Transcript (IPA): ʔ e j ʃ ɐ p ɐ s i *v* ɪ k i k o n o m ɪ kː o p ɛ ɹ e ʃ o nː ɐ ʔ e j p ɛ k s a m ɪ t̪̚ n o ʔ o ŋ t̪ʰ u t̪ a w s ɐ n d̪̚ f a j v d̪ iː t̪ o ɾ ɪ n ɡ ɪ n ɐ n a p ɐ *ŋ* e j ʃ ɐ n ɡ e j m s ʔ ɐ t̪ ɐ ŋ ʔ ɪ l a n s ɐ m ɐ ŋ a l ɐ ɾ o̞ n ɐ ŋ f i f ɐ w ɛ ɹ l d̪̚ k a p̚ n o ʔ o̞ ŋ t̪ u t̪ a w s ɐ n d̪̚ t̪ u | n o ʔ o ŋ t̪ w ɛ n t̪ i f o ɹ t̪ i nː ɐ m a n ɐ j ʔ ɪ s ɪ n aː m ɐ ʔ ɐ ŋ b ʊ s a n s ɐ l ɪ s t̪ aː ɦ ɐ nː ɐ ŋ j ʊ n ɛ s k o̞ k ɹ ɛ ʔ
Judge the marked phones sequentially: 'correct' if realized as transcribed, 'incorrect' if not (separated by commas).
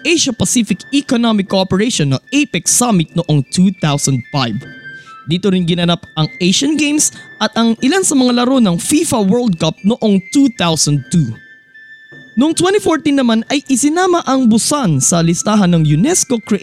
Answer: incorrect, correct